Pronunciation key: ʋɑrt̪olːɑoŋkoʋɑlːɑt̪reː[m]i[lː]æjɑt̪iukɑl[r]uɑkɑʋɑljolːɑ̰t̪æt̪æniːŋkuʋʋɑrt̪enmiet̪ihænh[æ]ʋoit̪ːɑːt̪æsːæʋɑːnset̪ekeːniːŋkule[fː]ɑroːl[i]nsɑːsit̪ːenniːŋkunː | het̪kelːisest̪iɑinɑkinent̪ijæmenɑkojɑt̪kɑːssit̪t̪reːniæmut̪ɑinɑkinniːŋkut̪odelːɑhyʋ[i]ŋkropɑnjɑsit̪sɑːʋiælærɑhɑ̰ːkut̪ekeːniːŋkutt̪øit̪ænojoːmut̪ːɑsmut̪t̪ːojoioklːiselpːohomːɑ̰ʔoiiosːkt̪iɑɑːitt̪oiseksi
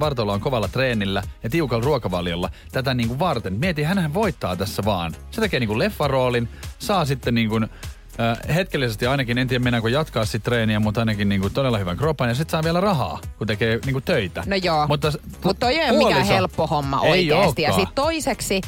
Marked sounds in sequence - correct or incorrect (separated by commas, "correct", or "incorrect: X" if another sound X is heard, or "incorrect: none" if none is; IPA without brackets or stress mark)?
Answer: incorrect: n, correct, correct, correct, correct, correct, incorrect: æ